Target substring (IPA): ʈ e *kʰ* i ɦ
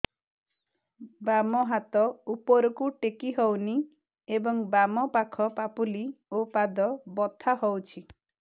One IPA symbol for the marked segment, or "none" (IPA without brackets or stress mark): k